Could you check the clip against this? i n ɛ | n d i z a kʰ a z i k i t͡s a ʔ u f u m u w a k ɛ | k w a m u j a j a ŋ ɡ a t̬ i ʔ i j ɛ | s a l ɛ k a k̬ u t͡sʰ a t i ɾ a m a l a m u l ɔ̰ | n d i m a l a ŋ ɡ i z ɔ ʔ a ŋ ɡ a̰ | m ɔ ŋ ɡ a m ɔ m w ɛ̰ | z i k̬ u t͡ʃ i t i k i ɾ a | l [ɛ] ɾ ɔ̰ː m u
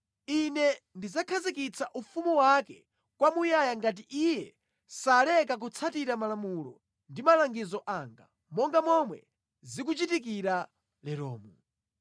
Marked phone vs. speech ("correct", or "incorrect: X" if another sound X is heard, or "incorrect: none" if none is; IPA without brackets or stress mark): correct